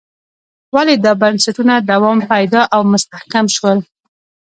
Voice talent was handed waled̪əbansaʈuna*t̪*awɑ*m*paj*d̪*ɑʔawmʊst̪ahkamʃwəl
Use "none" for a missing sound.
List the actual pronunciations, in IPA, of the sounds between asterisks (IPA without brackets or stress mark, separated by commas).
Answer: d̪, m, d̪